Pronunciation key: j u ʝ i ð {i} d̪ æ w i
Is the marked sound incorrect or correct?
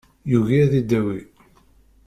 correct